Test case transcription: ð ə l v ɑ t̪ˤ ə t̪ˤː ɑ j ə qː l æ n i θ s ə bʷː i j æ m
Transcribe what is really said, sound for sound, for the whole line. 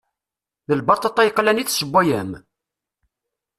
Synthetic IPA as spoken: ð ə l b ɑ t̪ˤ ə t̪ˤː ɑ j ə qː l æ n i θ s ə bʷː æ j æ m